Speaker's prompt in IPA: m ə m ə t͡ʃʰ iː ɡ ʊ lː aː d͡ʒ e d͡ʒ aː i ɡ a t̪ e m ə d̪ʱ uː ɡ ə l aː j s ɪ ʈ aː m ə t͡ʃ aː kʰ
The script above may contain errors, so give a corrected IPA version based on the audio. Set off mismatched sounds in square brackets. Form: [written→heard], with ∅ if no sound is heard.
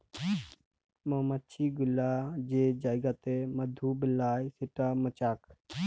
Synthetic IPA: m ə m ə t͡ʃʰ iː ɡ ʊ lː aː d͡ʒ e d͡ʒ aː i ɡ a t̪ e m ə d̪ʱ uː [ɡ→b] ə l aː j s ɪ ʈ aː m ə t͡ʃ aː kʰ